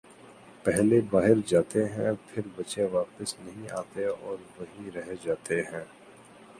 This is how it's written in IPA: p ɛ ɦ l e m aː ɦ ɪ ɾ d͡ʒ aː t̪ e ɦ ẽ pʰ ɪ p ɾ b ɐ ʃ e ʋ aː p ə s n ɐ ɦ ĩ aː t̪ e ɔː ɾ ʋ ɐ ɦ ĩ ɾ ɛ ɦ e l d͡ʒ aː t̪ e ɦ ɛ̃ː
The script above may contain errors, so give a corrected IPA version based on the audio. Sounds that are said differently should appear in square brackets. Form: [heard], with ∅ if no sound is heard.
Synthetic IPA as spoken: p ɛ ɦ l e [b] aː ɦ ɪ ɾ d͡ʒ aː t̪ e ɦ [ɛ̃] pʰ ɪ [∅] ɾ b ɐ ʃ e ʋ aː p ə s n ɐ ɦ ĩ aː t̪ e ɔː ɾ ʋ ɐ ɦ ĩ ɾ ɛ ɦ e [∅] d͡ʒ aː t̪ e ɦ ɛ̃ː